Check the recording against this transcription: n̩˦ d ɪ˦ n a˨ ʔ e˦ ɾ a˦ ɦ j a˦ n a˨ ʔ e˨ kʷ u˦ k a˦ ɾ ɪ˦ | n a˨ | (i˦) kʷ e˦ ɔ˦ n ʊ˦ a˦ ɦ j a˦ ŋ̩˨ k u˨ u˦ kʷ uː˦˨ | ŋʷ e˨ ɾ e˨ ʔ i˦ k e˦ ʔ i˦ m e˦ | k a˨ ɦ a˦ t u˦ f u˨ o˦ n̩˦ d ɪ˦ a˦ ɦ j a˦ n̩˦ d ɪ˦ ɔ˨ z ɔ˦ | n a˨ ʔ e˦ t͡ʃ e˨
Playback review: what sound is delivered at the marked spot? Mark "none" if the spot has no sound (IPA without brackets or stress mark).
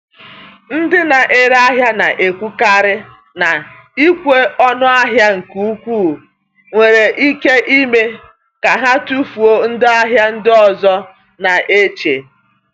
i˦